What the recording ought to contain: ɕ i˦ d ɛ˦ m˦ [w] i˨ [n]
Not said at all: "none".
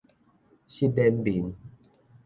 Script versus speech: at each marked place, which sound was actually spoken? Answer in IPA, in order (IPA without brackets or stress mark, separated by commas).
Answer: b, n